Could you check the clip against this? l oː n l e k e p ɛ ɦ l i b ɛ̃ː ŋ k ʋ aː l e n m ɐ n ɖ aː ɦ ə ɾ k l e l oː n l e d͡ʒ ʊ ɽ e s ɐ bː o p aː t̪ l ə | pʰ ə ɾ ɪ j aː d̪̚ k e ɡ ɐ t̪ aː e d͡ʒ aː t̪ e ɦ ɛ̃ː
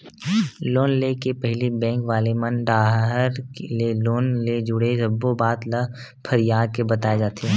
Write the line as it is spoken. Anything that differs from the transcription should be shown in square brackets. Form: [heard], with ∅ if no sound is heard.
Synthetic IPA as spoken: l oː n l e k e p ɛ ɦ l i b ɛ̃ː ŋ k ʋ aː l e [∅] m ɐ n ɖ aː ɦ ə ɾ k l e l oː n l e d͡ʒ ʊ ɽ e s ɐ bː o [b] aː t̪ l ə | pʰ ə ɾ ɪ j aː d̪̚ k e [b] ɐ t̪ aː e d͡ʒ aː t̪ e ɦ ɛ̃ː

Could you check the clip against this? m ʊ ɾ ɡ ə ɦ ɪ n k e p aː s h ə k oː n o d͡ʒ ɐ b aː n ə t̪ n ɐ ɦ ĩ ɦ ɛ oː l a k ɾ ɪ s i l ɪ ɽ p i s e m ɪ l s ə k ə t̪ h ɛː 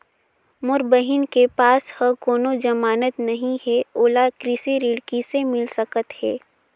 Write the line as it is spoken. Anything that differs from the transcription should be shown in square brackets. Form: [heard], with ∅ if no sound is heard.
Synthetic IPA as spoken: m ʊ ɾ [b] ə ɦ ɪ n k e p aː s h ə k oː n o d͡ʒ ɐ [m] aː n ə t̪ n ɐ ɦ ĩ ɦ ɛ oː l a k ɾ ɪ s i [ɾ] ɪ ɽ [k] i s e m ɪ l s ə k ə t̪ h ɛː

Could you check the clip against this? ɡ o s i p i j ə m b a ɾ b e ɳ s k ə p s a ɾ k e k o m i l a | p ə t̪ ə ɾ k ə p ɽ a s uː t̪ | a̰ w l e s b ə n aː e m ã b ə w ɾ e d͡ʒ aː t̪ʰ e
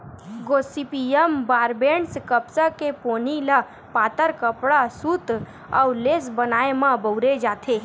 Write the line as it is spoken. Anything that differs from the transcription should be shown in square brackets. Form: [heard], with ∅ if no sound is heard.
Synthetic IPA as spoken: ɡ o s i p i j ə m b a ɾ b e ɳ s k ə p s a [∅] k e [p] o [n] i l a | p [a] t̪ ə ɾ k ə p ɽ a s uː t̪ | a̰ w l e s b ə n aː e m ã b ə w ɾ e d͡ʒ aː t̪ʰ e

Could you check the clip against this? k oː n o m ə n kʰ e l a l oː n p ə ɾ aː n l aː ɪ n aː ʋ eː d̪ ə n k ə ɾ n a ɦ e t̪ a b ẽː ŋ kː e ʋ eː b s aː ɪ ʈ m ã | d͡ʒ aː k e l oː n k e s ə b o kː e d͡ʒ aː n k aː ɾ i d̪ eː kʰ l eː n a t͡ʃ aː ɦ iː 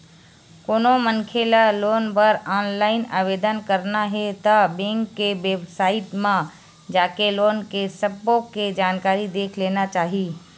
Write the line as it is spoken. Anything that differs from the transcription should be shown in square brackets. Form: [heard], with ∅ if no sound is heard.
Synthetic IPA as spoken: k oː n o m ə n kʰ e l a l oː n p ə ɾ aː n l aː ɪ n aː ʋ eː d̪ ə n k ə ɾ n a ɦ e t̪ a b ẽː ŋ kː e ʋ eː b s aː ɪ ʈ m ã | d͡ʒ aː k e l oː n k e s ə b o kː e d͡ʒ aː n k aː ɾ i d̪ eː kʰ l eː n a t͡ʃ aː ɦ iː

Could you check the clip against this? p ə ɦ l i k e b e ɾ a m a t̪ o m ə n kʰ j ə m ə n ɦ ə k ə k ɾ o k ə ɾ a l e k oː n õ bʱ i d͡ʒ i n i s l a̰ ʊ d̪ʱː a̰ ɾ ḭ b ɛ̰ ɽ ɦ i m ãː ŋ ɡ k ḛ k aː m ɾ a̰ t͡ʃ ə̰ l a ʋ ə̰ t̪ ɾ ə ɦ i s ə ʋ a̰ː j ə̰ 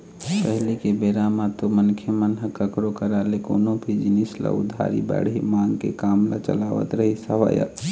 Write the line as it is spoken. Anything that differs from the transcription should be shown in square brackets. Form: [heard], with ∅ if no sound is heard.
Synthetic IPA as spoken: p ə ɦ l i k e b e ɾ a m a t̪ o m ə n kʰ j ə m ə n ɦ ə k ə k ɾ o k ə ɾ a l e k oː n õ bʱ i d͡ʒ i n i s l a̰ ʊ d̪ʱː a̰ ɾ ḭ b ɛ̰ ɽ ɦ i m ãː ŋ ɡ k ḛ k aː m [l] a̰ t͡ʃ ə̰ l a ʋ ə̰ t̪ ɾ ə ɦ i s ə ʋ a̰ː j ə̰

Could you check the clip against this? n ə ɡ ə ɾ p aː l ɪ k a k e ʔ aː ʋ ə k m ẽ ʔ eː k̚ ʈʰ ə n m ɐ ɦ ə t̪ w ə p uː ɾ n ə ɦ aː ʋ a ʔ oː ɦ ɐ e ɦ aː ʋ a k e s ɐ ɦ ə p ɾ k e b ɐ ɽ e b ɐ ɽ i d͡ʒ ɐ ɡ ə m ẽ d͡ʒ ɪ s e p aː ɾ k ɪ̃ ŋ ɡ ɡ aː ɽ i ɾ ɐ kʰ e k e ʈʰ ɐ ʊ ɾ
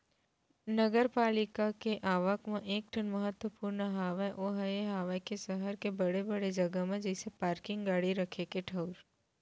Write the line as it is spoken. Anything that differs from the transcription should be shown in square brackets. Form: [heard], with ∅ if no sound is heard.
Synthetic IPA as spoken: n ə ɡ ə ɾ p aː l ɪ k a k e ʔ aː ʋ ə k m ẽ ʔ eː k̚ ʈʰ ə n m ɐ ɦ ə t̪ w ə p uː ɾ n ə ɦ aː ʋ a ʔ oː ɦ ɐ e ɦ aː ʋ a k e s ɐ ɦ ə [∅] ɾ k e b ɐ ɽ e b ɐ ɽ [e] d͡ʒ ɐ ɡ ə m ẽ d͡ʒ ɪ s e p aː ɾ k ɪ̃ ŋ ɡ ɡ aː ɽ i ɾ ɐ kʰ e k e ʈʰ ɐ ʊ ɾ

